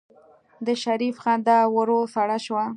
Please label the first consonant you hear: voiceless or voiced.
voiced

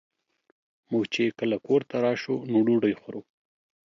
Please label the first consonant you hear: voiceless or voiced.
voiced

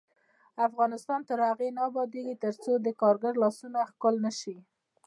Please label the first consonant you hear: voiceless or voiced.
voiceless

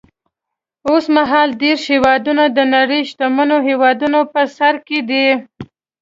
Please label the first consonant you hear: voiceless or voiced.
voiceless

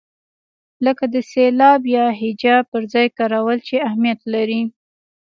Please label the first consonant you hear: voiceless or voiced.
voiced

